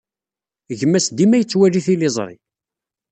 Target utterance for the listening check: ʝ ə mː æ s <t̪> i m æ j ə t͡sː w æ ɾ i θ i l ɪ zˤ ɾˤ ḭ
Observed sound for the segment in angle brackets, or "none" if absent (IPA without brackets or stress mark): d̪